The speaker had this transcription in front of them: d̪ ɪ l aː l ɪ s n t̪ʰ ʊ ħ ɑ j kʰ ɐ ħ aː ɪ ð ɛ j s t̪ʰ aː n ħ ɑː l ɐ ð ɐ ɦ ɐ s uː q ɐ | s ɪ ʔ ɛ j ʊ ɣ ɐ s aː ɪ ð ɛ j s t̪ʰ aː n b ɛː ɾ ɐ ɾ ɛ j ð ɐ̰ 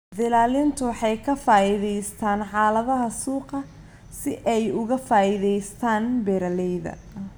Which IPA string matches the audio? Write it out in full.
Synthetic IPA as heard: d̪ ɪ l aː l ɪ n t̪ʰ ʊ ħ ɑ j kʰ ɐ f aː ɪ ð ɛ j s t̪ʰ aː n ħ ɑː l ɐ ð ɐ ɦ ɐ s uː q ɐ | s ɪ ʔ ɛ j ʊ ɣ ɐ f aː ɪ ð ɛ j s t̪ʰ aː n b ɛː ɾ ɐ l ɛ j ð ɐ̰

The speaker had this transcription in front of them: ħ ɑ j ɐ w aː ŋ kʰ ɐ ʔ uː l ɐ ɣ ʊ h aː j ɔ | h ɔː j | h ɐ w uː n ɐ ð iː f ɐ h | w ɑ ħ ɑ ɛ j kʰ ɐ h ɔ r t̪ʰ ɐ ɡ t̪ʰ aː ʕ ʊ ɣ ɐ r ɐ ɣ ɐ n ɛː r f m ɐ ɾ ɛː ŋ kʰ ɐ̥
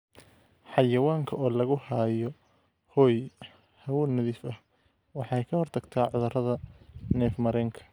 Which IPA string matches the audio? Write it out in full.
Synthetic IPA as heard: ħ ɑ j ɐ w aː ŋ kʰ ɐ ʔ ɔː l ɐ ɣ ʊ h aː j ɔ | h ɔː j | h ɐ w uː n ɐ ð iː f ɐ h | w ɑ ħ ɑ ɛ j kʰ ɐ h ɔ r t̪ʰ ɐ ɡ t̪ʰ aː ʕ ʊ ð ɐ r ɐ ð ɐ n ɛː f m ɐ ɾ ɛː ŋ kʰ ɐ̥

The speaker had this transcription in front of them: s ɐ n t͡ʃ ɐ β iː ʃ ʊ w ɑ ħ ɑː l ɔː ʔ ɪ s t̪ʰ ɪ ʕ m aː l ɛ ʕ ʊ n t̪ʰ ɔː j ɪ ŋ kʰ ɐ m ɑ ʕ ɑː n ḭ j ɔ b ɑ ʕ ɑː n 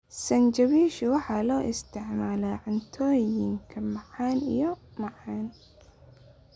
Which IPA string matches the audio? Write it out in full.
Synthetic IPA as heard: s ɐ n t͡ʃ ɐ β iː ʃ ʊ w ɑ ħ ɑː l ɔː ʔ ɪ s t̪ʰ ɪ ʕ m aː l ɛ ʕ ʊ n t̪ʰ ɔː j ɪ ŋ kʰ ɐ m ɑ ʕ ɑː n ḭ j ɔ m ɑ ʕ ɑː n

